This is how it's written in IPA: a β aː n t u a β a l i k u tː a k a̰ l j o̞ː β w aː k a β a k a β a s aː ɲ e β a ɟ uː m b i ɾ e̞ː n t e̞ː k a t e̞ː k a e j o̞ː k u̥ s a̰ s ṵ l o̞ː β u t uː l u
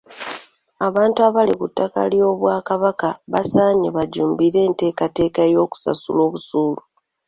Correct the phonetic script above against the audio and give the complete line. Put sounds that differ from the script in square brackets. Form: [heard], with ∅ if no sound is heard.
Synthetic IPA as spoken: a β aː n t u a β a l i k u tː a k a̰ l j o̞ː β w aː k a β a k a β a s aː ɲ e β a ɟ uː m b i ɾ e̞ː n t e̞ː k a t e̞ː k a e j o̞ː k u̥ s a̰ s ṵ l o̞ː β u [s] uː l u